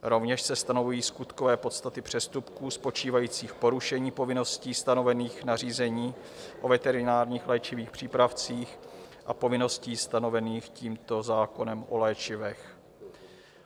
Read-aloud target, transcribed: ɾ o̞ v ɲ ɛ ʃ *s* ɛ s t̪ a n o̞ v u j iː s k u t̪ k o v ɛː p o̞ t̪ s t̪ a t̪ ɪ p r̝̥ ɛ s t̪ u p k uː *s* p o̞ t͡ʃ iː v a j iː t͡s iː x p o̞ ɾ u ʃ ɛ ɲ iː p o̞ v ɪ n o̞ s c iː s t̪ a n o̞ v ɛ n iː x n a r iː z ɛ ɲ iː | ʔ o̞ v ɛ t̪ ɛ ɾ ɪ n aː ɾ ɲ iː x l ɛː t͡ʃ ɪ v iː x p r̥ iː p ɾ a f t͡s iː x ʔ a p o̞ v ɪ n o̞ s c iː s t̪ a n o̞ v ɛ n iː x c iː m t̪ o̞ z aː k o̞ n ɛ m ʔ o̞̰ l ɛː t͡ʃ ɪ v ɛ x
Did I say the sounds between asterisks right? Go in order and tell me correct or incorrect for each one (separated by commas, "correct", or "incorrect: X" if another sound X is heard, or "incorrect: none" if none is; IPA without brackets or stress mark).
correct, correct